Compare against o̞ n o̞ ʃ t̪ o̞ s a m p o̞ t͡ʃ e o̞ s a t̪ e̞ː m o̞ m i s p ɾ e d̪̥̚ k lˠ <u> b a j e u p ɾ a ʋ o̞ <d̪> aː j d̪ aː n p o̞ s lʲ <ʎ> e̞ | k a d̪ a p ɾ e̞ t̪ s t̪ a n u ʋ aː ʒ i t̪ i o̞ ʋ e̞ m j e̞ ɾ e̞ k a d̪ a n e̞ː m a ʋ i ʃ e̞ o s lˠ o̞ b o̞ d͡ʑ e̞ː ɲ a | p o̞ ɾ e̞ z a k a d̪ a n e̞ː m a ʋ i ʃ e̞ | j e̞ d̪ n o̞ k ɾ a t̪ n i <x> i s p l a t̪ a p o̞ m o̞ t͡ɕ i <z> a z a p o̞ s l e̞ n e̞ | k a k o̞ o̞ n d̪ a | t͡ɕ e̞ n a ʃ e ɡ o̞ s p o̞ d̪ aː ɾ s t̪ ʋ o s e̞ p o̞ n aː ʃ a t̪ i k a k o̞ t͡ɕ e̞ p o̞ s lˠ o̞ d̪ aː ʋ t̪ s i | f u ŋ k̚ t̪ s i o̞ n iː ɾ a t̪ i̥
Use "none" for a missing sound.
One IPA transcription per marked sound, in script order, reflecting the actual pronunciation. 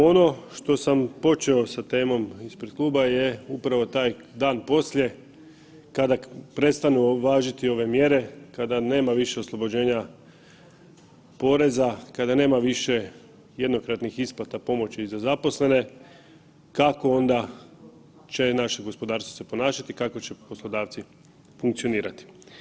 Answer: uː, t̪, j, x, z

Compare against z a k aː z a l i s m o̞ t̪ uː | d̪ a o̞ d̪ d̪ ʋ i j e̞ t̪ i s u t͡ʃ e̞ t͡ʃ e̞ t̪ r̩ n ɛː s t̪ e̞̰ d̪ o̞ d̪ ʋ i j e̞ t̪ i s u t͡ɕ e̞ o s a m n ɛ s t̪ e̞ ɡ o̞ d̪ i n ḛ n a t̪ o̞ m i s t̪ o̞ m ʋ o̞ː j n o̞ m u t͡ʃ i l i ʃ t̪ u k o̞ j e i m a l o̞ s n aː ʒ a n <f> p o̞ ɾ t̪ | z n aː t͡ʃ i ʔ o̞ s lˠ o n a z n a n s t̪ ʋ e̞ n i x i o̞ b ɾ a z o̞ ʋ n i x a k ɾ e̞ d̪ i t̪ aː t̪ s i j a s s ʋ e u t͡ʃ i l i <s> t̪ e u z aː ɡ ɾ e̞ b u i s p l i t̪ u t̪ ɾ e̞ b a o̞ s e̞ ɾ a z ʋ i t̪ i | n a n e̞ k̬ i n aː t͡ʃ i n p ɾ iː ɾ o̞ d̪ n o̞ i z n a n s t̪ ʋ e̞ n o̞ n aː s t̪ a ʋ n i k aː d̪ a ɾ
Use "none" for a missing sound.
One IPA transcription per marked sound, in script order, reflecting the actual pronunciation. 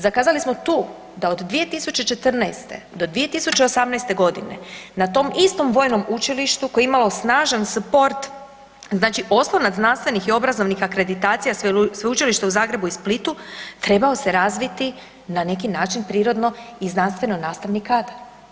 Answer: s, ʃ

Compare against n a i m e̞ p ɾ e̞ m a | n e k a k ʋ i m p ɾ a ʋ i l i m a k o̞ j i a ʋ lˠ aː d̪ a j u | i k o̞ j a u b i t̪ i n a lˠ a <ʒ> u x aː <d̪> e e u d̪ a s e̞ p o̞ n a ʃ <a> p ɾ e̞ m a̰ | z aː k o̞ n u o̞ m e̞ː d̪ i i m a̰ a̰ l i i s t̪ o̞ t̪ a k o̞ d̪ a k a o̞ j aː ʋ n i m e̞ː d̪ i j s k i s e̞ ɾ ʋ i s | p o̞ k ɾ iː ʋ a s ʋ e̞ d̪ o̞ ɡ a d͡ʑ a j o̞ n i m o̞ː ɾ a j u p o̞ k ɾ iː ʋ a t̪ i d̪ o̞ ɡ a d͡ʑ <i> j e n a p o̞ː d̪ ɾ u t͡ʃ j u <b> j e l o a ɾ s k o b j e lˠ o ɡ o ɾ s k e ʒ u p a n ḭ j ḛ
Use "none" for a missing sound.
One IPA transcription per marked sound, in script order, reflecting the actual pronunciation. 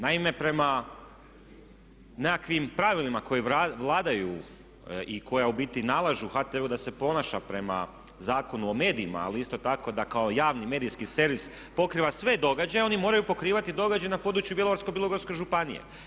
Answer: ʒ, t̪, a, a, b

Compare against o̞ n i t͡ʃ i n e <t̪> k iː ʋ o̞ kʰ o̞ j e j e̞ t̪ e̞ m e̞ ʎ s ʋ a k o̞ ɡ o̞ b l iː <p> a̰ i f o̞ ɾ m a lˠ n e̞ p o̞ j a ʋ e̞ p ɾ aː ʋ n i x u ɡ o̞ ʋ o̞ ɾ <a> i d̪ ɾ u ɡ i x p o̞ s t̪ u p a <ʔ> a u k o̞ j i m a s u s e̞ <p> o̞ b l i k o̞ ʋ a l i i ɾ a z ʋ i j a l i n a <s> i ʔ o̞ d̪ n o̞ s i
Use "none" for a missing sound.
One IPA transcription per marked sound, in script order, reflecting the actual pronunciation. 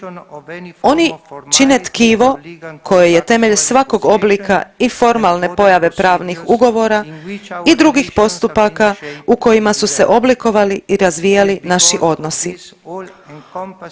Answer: t̪, k, a, k, ʔ, ʃ

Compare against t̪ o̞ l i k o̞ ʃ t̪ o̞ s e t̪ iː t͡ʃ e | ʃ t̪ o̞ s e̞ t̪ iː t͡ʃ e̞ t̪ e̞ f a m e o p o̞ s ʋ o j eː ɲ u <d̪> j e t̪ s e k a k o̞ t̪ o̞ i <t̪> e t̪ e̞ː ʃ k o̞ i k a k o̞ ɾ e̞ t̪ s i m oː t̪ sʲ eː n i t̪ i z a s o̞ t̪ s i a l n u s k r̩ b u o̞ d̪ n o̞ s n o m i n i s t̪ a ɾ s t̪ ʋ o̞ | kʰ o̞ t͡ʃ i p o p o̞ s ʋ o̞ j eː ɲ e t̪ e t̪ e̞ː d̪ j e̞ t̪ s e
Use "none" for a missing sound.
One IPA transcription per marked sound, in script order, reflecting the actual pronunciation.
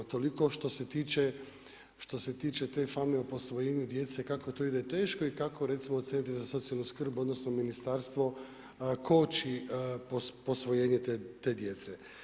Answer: d̪, d̪

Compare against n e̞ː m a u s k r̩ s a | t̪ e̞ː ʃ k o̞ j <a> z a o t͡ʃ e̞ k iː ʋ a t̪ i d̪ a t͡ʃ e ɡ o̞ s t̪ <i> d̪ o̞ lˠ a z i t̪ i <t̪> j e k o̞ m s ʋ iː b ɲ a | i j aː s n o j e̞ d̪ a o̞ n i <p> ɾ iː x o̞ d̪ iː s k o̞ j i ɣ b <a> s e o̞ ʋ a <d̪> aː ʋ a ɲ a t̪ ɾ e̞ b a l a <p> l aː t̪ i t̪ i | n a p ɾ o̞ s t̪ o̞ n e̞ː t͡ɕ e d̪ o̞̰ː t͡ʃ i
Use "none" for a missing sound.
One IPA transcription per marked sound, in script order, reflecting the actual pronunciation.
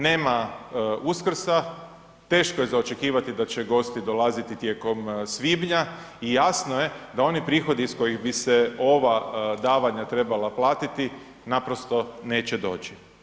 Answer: e, i, t̪, p, i, d̪, p

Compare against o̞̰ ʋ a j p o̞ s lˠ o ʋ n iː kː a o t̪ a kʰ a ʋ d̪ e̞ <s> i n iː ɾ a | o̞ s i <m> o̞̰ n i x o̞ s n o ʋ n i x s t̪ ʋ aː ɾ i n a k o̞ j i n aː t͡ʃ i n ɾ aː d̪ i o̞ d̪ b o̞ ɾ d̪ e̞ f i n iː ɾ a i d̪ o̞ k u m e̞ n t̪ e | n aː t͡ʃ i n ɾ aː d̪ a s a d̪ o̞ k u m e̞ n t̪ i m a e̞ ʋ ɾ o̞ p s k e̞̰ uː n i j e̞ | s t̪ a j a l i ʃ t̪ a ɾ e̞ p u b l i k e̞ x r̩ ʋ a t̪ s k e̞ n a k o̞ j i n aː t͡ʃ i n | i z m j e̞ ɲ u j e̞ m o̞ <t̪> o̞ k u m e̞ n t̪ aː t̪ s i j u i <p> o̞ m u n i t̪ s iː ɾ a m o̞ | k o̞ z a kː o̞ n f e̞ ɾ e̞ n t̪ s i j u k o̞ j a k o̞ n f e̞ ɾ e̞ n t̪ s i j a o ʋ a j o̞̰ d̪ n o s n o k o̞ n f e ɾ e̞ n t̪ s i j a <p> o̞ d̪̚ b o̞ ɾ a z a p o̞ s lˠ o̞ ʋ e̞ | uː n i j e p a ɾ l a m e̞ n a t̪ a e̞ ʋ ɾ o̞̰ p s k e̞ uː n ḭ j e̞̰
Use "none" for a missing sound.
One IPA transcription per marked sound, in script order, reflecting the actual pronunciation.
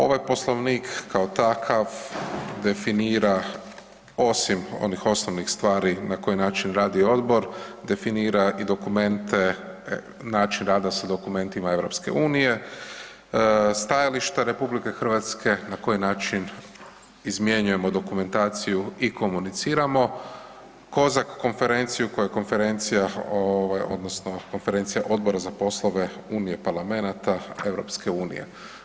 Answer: f, m, d̪, k, ʔ

